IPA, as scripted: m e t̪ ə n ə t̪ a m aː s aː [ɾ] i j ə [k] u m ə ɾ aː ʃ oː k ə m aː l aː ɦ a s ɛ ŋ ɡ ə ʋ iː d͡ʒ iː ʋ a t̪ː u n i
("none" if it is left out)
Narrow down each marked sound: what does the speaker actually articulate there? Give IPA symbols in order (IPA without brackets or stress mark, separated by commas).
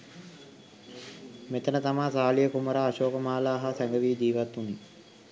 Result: l, k